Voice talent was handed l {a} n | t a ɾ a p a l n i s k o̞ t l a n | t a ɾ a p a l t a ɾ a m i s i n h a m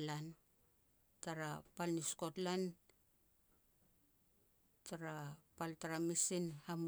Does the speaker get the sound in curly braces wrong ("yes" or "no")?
no